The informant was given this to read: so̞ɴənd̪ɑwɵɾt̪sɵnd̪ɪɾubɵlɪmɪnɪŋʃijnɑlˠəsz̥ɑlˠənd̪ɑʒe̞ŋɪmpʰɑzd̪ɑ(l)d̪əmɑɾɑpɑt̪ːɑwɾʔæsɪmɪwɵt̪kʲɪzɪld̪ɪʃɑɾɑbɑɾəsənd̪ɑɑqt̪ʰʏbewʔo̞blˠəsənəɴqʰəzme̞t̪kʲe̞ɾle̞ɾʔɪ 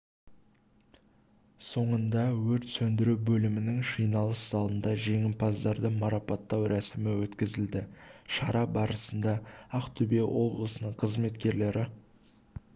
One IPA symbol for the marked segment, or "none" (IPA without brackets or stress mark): ɾ